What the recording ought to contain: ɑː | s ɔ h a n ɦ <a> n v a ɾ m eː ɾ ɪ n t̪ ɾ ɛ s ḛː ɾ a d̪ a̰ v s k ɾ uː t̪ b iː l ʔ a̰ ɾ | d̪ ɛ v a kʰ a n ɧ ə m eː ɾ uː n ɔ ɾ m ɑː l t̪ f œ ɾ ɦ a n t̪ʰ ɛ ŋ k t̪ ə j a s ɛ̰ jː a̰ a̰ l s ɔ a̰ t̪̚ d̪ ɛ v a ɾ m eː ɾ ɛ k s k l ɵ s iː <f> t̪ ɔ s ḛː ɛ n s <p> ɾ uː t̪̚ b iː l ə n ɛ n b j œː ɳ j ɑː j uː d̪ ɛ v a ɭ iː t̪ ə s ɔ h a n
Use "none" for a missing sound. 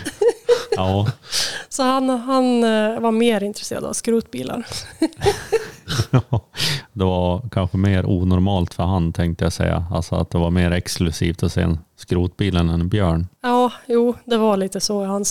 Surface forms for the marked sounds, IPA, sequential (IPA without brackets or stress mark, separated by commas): a, f, k